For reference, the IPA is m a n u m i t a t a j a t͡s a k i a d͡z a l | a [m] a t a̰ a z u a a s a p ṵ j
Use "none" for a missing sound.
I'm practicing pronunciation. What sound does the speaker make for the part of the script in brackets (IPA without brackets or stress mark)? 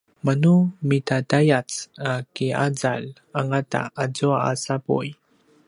ŋ